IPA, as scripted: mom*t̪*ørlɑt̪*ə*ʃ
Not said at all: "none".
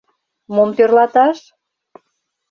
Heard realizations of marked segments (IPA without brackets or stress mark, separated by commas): t̪, ɑ